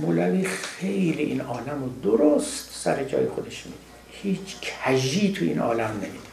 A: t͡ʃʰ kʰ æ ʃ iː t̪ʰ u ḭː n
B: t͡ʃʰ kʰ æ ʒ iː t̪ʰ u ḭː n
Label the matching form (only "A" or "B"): B